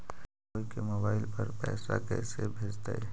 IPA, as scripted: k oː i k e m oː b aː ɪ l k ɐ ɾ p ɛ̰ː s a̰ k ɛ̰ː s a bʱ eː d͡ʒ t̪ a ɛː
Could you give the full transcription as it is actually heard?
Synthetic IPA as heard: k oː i k e m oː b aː ɪ l p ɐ ɾ p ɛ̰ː s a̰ k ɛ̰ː s e bʱ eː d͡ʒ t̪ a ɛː